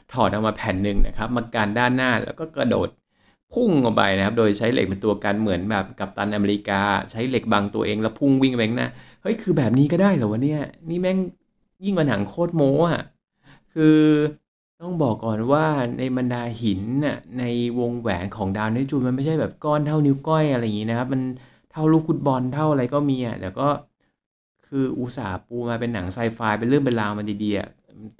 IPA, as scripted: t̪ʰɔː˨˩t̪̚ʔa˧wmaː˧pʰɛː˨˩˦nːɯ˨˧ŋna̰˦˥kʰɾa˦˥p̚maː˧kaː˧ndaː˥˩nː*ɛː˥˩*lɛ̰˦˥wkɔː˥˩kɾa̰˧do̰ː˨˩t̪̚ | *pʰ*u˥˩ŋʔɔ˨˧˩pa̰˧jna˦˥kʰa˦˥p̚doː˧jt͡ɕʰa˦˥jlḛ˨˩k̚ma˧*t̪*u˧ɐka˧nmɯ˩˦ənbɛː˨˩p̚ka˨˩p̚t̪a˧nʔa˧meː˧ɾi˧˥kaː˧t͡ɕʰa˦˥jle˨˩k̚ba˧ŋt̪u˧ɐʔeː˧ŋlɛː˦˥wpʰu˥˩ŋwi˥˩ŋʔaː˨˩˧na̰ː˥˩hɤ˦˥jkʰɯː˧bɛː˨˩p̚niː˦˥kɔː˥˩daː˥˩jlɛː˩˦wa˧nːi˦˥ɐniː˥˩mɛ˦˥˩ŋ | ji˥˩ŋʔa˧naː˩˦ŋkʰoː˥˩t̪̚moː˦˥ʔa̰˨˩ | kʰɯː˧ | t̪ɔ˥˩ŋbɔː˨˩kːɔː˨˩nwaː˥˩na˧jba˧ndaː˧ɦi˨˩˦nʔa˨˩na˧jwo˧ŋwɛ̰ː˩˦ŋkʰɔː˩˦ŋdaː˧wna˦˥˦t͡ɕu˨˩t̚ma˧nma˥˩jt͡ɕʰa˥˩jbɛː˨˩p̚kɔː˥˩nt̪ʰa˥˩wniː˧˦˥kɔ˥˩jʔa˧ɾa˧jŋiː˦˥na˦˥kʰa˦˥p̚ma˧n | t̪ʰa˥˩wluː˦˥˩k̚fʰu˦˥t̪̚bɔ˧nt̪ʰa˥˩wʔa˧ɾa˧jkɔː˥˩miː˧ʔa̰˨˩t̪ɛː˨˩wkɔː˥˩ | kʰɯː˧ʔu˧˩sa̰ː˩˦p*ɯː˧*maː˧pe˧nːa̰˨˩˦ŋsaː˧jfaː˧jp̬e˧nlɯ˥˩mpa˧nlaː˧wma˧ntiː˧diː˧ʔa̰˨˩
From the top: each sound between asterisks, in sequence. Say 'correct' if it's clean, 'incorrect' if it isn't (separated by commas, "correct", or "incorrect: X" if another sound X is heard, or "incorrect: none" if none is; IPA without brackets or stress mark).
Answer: incorrect: aː˥˩, correct, correct, incorrect: uː˧